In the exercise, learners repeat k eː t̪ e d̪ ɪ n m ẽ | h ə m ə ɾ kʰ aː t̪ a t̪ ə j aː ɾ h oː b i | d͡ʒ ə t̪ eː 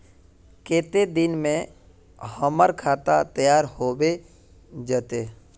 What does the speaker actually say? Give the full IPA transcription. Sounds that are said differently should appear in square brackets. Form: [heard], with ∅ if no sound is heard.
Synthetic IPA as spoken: k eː t̪ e d̪ ɪ n m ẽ | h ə m ə ɾ kʰ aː t̪ a t̪ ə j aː ɾ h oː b [e] | d͡ʒ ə t̪ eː